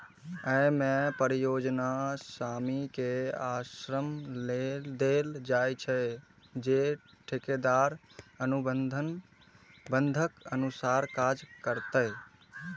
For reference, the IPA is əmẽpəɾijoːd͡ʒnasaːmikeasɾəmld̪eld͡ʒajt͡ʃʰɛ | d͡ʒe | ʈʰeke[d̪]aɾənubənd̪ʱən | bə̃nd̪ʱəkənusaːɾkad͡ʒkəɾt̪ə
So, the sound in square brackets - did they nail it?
yes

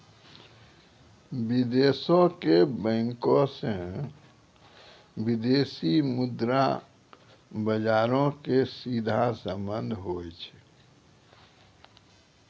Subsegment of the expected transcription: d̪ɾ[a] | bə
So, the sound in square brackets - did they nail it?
yes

